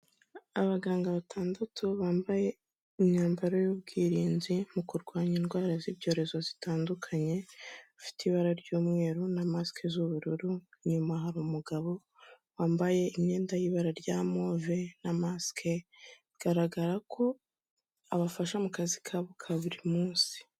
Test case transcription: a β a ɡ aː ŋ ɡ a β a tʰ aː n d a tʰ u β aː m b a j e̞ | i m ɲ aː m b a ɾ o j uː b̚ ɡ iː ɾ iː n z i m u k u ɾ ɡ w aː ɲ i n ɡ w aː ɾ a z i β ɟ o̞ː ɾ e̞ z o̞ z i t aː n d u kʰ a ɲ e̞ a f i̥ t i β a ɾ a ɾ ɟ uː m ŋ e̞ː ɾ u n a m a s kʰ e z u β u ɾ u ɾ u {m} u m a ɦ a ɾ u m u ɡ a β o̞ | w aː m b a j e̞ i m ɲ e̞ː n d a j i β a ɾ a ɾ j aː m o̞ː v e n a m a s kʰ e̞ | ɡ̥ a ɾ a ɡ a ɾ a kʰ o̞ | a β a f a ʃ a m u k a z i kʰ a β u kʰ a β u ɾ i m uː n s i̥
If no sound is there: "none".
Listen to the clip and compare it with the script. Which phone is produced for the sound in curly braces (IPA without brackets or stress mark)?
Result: ɲ